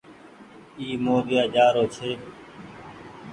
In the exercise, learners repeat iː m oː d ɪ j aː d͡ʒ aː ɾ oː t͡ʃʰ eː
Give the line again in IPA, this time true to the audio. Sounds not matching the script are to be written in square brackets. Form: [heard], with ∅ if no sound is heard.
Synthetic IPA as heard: iː m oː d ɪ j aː d͡ʒ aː ɾ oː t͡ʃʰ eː